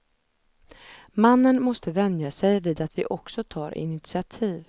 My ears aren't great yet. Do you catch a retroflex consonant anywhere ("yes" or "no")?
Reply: no